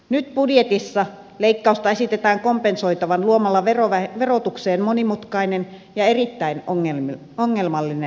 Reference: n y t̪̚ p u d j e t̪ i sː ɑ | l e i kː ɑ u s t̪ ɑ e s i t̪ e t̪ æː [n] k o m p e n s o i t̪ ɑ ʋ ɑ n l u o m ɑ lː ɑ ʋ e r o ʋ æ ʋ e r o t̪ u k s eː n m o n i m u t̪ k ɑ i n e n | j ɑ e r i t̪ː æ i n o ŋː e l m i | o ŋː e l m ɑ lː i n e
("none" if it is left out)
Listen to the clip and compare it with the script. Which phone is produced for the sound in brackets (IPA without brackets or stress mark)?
ŋ